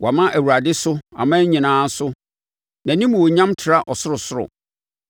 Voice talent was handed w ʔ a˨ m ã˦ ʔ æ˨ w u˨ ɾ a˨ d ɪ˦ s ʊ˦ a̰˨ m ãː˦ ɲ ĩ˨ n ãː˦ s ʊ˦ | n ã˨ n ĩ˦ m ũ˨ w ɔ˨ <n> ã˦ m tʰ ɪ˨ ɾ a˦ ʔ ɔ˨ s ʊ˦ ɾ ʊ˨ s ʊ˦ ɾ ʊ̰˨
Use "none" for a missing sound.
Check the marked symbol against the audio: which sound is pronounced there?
ɲ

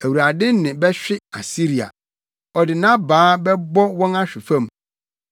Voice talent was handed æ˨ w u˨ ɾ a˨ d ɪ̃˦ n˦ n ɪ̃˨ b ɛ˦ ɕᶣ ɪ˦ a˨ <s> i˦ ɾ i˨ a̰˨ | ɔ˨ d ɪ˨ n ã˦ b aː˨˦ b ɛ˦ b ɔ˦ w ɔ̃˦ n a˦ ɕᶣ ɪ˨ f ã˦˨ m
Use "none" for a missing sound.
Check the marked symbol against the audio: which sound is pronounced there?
s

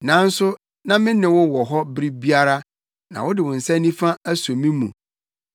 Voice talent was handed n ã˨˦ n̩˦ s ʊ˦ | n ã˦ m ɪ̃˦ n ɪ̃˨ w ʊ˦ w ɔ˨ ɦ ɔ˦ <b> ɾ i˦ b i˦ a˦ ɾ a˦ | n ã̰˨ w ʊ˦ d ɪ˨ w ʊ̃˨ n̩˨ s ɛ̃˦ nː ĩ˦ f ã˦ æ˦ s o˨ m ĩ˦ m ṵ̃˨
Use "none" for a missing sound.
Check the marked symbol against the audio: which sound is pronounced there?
b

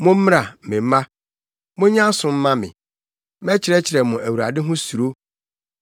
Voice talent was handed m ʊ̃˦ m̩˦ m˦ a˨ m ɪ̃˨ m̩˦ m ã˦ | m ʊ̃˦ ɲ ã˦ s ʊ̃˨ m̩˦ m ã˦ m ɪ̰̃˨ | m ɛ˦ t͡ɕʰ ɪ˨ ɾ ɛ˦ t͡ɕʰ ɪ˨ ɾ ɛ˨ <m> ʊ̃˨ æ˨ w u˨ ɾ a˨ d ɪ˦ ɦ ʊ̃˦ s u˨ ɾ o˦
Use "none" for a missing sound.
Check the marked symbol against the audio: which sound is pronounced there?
m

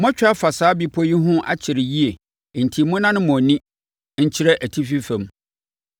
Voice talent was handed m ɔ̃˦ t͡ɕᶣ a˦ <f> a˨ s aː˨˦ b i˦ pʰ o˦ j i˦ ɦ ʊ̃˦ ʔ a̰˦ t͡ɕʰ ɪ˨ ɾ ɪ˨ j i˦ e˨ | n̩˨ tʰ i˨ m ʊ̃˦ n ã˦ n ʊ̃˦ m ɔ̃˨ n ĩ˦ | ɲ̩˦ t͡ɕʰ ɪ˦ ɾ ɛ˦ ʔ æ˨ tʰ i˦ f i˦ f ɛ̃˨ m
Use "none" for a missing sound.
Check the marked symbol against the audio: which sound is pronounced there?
f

